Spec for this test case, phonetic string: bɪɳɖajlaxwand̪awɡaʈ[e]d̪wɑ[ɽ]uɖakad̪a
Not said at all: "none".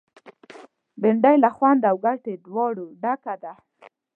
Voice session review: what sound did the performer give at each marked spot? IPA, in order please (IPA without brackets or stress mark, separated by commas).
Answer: e, ɽ